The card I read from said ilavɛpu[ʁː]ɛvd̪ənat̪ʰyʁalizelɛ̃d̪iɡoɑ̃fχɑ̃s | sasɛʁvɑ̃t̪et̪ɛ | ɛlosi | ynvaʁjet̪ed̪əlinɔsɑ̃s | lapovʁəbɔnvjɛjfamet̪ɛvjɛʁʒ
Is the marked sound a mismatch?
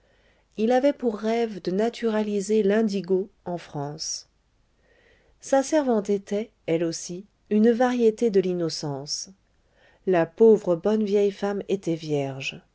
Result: no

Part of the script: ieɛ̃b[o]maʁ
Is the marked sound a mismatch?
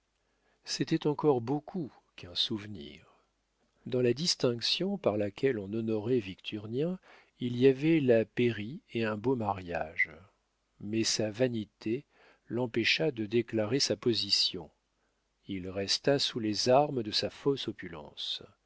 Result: no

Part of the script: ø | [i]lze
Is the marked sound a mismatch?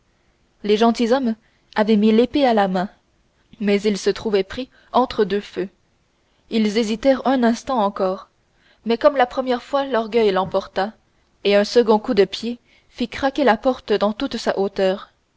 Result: no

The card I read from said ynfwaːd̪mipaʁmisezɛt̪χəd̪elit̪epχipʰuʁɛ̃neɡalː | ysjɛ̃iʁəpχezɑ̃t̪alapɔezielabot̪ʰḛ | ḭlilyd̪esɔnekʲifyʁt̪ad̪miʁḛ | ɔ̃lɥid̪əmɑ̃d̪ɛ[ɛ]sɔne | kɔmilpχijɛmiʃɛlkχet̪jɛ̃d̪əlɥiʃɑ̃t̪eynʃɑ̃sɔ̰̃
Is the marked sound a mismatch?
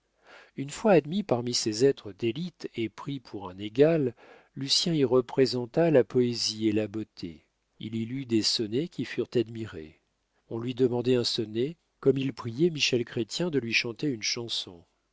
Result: yes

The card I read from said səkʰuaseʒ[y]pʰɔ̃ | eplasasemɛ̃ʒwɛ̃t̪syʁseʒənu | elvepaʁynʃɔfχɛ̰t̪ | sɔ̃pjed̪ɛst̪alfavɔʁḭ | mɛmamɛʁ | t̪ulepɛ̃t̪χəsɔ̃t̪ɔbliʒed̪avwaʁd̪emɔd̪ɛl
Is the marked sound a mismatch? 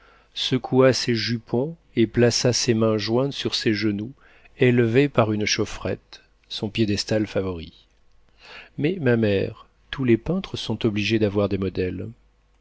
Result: no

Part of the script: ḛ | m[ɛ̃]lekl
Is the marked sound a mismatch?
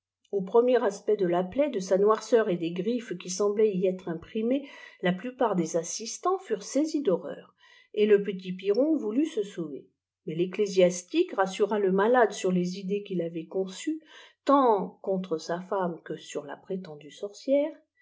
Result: yes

